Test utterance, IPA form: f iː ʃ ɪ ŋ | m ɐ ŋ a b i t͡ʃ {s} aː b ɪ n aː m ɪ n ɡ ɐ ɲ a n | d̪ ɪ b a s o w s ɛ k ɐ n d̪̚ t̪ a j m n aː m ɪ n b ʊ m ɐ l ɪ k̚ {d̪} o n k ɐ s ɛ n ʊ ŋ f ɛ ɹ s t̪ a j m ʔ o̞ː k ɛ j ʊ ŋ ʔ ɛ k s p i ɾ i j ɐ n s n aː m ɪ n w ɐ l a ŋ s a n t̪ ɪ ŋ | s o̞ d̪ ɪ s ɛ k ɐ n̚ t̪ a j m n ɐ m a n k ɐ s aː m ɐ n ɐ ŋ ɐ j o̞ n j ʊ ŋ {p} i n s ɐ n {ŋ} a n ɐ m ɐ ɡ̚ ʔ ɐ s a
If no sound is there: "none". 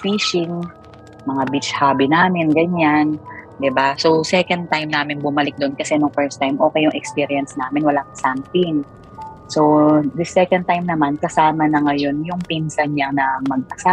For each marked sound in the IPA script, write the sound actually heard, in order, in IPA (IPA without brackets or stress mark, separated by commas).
h, d̪, p, ɲ